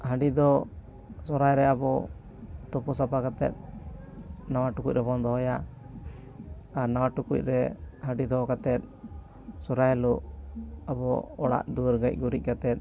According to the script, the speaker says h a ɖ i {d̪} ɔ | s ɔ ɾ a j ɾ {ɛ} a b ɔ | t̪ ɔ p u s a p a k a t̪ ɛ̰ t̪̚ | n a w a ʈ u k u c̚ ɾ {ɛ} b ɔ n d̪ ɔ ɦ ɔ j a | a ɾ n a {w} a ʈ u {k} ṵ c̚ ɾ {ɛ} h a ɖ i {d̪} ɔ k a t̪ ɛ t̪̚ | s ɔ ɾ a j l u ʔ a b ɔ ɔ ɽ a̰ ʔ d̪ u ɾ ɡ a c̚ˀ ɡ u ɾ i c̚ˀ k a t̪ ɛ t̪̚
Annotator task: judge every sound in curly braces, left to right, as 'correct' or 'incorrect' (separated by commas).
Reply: correct, correct, correct, correct, correct, correct, correct